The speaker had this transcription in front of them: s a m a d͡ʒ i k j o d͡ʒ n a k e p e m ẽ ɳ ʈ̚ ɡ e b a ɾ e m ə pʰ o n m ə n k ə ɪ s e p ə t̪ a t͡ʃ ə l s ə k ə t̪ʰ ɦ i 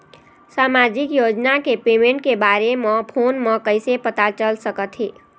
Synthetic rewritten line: s a m a d͡ʒ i k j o d͡ʒ n a k e p e m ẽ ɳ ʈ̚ k e b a ɾ e m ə pʰ o n m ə k ə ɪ s e p ə t̪ a t͡ʃ ə l s ə k ə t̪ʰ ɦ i